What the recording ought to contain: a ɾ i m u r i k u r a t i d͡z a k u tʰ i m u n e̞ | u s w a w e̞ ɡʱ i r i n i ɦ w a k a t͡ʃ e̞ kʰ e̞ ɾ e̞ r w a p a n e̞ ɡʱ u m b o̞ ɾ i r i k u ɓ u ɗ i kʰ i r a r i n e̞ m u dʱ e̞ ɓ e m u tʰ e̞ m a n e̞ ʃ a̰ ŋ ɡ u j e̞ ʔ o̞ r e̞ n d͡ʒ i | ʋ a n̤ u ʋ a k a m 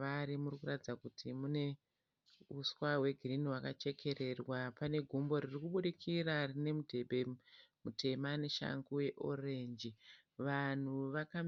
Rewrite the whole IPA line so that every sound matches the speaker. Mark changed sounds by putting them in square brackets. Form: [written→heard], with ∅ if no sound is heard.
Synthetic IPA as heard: a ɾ i m u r i k u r a t i d͡z a k u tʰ i m u n e̞ | u s w a w e̞ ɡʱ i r i n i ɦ w a k a t͡ʃ e̞ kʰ e̞ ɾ e̞ r w a p a n e̞ ɡʱ u m b o̞ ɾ i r i k u ɓ u ɗ i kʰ i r a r i n e̞ m u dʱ e̞ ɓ e m u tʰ e̞ m a n e̞ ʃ a̰ ŋ ɡ u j e̞ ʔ o̞ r e̞ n d͡ʒ i | ʋ a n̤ u ʋ a k a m

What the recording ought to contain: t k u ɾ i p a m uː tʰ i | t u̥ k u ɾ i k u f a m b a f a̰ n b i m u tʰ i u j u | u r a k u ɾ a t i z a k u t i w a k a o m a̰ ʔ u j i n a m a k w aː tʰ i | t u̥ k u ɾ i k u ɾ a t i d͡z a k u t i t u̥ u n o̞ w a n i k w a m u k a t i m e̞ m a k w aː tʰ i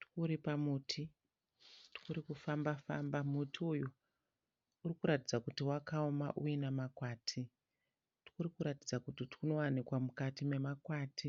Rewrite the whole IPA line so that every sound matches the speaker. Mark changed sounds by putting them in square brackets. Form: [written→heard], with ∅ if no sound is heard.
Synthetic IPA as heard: t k u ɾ i p a m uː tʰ i | t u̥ k u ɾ i k u f a m b a f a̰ [n→m] b [i→a] m u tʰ i u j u | u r [a→i] k u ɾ a t i [z→d͡z] a k u t i w a k a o m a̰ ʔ u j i n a m a k w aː tʰ i | t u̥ k u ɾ i k u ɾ a t i d͡z a k u t i t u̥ u n o̞ w a n i k w a m u k a t i m e̞ m a k w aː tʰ i

